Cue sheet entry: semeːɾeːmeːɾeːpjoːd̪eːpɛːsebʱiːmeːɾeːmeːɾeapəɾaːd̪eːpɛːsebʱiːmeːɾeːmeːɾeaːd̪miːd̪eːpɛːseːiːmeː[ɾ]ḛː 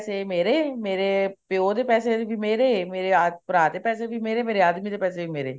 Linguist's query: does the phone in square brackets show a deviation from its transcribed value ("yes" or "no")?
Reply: no